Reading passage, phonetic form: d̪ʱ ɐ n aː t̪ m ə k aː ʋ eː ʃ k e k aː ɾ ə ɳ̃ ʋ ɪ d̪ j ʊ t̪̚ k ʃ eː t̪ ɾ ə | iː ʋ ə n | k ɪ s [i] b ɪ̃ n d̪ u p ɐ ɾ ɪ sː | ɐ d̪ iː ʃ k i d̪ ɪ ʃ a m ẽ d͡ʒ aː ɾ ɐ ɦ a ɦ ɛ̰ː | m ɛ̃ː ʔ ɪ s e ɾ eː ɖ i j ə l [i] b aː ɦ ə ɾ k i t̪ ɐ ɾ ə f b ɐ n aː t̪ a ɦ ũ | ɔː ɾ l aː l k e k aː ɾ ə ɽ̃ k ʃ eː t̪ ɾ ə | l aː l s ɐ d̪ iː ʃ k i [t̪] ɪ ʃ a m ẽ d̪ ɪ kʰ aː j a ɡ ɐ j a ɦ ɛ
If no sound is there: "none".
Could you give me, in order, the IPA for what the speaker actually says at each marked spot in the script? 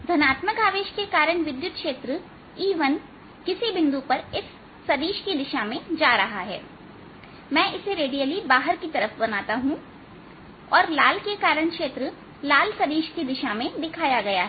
i, i, d̪

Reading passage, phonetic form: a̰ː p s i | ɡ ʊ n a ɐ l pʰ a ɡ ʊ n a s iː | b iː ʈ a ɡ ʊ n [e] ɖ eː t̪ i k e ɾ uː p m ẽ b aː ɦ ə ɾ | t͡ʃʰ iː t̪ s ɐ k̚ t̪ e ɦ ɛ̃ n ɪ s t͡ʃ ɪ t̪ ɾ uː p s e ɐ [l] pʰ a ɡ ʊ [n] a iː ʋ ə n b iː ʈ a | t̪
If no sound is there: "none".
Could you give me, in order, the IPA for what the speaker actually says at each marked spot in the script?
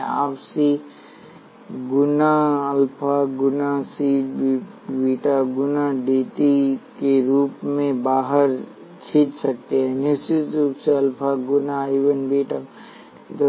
a, l, n

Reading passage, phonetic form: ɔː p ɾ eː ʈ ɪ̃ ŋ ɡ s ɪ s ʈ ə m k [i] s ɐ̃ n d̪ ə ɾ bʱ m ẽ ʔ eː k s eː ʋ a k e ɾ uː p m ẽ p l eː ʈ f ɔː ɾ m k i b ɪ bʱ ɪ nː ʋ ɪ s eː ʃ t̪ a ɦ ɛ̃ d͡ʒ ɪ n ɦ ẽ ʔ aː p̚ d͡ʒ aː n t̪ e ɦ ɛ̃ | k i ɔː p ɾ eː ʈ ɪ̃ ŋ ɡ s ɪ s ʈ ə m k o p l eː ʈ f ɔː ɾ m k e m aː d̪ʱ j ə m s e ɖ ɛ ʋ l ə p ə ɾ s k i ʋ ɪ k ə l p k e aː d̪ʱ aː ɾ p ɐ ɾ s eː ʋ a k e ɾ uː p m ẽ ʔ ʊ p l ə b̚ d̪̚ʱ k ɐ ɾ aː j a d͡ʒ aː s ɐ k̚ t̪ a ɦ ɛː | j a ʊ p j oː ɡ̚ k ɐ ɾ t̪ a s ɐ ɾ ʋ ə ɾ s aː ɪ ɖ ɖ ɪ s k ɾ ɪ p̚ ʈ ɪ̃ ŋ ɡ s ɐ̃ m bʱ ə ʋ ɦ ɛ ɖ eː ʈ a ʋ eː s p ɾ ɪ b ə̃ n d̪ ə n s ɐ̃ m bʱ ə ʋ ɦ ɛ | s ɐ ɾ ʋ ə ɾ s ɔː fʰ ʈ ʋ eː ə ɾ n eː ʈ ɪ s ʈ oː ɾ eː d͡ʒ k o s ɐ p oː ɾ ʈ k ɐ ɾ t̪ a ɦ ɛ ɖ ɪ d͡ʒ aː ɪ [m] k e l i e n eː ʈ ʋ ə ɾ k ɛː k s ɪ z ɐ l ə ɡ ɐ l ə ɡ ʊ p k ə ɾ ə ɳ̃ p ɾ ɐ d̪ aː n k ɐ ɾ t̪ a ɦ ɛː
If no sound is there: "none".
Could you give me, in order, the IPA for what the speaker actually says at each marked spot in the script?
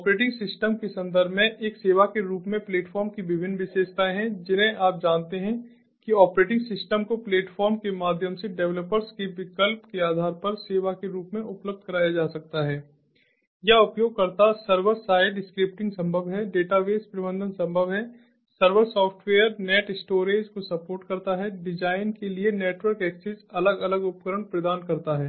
e, n

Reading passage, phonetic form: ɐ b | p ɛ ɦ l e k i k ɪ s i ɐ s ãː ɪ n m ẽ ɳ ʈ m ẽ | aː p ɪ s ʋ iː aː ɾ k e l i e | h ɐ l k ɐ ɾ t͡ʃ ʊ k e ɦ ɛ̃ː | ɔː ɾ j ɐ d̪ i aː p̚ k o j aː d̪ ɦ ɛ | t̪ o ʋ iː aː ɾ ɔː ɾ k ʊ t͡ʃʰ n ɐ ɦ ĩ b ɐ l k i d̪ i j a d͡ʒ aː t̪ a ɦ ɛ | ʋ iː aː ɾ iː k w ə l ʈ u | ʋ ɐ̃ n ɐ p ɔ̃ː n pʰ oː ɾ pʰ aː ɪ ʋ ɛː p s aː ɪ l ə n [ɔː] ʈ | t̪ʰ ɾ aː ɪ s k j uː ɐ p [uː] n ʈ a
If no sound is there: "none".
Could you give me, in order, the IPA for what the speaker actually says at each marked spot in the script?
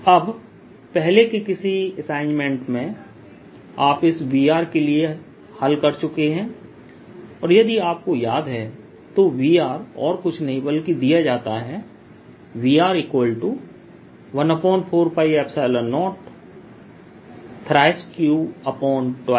ɔː, ɔː

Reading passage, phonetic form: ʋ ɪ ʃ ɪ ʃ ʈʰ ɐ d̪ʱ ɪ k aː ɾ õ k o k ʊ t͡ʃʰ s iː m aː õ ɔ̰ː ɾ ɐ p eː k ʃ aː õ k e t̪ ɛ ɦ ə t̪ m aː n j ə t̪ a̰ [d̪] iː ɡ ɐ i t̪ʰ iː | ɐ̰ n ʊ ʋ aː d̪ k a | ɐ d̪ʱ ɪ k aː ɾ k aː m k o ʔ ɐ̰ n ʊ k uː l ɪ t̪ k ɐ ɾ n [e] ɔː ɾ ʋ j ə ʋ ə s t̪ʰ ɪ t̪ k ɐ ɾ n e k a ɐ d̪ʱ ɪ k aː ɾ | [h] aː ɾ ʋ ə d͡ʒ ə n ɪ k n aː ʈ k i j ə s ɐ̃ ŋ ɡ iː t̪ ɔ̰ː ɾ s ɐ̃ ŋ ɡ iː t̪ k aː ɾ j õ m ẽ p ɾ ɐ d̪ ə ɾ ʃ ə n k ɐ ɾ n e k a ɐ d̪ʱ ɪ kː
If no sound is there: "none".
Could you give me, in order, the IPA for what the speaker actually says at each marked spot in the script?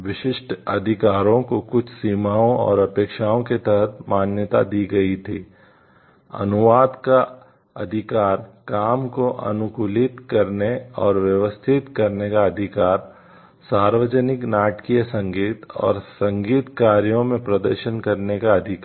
d̪, e, s

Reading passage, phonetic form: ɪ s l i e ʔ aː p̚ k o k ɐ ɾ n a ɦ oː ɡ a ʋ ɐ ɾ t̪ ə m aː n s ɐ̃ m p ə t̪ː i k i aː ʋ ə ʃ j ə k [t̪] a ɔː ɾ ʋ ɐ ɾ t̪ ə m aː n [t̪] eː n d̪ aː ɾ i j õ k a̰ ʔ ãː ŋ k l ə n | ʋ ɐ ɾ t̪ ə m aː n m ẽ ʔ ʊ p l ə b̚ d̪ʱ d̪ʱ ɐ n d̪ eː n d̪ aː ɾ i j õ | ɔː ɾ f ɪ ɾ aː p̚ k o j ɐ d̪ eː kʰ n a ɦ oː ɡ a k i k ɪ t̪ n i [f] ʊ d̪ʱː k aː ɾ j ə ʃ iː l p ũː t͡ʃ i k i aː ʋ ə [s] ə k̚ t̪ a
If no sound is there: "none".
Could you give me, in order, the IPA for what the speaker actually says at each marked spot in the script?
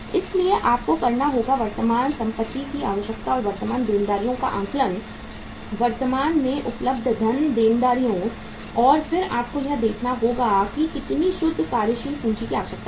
t̪, d̪, ʃ, ʃ

